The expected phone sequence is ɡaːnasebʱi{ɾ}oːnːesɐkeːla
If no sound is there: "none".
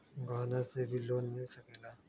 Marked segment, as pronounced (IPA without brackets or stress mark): l